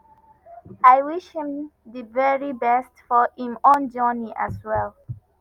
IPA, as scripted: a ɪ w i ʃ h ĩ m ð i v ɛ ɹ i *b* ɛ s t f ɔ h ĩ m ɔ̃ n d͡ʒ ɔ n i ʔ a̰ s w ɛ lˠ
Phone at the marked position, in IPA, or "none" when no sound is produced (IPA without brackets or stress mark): b